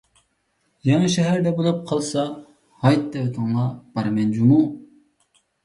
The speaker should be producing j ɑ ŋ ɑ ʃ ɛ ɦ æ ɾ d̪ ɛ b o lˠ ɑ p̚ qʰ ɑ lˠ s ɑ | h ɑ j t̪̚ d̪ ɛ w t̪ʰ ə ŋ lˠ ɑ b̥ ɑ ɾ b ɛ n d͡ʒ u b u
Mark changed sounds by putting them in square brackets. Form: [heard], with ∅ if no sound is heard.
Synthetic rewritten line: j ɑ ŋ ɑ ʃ ɛ ɦ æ ɾ d̪ ɛ b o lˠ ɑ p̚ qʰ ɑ lˠ s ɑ | h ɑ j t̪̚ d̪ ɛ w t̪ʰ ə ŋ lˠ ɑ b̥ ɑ ɾ [m] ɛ n d͡ʒ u [m] u